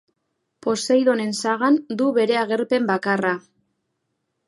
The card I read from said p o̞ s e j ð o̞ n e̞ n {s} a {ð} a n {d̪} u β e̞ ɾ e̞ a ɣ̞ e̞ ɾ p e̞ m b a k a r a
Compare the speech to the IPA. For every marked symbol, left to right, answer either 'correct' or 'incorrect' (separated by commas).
correct, incorrect, correct